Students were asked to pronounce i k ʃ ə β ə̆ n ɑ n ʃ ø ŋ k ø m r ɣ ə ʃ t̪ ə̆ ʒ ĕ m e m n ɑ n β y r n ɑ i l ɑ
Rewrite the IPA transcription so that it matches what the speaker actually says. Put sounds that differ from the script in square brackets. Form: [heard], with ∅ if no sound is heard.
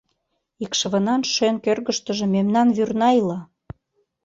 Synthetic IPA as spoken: i k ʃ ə β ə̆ n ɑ n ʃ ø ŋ k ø [∅] r ɣ ə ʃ t̪ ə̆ ʒ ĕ m e m n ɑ n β y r n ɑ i l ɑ